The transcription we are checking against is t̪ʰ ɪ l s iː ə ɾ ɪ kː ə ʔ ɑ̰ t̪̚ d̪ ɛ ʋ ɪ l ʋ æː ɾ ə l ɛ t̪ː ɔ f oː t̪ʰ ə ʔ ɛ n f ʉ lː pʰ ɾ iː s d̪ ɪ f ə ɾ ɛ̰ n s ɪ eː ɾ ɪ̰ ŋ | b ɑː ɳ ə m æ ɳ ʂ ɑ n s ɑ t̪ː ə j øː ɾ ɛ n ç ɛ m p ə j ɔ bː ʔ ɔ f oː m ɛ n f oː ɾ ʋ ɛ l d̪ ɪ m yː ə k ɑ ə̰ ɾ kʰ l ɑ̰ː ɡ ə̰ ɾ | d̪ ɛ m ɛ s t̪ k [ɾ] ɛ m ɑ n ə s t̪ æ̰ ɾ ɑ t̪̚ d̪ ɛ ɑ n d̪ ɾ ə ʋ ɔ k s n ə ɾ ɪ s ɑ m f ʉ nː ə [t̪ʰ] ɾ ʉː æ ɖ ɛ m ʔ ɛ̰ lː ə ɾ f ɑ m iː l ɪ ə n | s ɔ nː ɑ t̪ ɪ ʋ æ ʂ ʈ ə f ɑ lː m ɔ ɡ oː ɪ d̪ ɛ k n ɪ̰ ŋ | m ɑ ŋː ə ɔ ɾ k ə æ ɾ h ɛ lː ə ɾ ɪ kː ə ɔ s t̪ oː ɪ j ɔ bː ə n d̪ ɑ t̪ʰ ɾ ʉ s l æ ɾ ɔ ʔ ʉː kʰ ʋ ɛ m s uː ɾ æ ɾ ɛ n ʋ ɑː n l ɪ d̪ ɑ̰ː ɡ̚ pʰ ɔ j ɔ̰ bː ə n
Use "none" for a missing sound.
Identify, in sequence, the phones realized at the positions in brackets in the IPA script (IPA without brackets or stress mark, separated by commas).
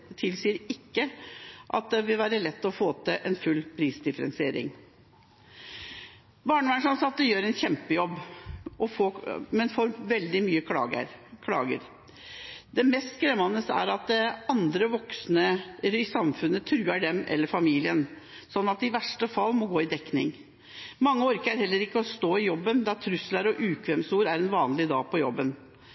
ɾ, t̪ʰ